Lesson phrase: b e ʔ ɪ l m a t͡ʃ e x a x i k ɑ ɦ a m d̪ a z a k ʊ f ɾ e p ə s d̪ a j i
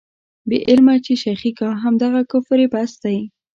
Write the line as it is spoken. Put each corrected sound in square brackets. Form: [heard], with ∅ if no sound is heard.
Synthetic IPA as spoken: b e ʔ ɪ l m a t͡ʃ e [ʃ] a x i k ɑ ɦ a m d̪ a [ɣ] a k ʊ f ɾ e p [a] s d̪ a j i